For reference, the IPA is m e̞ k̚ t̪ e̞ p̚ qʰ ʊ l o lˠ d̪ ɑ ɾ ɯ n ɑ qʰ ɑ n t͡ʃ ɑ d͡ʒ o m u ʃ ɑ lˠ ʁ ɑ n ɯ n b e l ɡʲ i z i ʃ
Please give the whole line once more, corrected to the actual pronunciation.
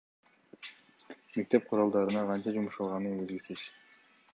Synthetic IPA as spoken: m e̞ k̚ t̪ e̞ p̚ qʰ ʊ ɾ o lˠ d̪ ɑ ɾ ɯ n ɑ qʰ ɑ n t͡ʃ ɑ d͡ʒ u m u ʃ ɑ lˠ ʁ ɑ n ɯ n b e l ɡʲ i s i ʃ